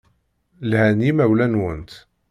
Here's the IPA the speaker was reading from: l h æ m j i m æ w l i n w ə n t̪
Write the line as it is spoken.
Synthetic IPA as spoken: l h æ n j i m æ w l æ n w ə n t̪